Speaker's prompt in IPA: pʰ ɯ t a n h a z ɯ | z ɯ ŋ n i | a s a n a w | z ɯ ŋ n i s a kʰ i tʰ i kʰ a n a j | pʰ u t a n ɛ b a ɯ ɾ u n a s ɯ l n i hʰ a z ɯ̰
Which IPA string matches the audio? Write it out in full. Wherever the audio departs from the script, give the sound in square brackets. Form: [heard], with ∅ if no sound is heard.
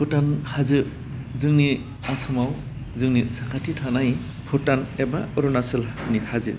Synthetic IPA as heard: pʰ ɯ t a n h a z ɯ | z ɯ ŋ n i | a s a [m] a w | z ɯ ŋ n i s a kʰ [a] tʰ i [tʰ] a n a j | pʰ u t a n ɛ b a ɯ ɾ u n a s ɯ l n i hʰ a z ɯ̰